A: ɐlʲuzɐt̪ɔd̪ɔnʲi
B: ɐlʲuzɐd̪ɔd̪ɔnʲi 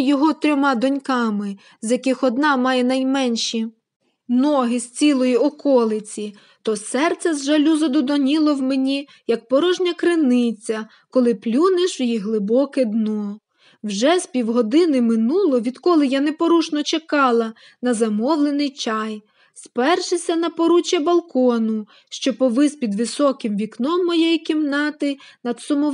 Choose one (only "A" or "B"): B